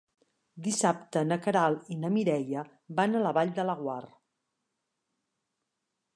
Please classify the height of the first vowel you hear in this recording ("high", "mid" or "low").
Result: high